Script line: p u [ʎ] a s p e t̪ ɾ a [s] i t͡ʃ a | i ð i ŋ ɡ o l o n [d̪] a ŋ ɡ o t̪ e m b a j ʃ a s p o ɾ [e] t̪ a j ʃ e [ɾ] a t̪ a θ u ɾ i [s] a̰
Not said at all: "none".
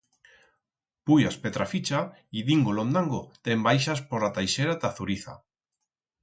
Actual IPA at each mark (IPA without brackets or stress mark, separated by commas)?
j, f, d̪, a, ɾ, θ